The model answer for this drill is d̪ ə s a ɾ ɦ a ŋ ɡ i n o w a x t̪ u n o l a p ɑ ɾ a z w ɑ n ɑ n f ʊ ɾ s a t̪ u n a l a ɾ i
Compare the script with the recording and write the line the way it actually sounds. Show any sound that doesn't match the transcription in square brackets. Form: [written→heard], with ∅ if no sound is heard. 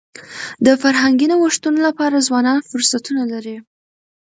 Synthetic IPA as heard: d̪ ə [s→f] a ɾ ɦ a ŋ ɡ i n o w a [x→ʂ] t̪ u n o l a p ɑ ɾ a z w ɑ n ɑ n f ʊ ɾ s a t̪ u n a l a ɾ i